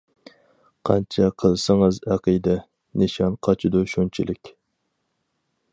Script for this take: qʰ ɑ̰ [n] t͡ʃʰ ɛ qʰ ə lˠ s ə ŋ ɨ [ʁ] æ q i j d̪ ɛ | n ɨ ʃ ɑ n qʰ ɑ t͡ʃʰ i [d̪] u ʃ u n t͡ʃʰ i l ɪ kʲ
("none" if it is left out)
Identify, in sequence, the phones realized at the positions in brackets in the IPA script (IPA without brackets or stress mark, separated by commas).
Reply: n, z, d̪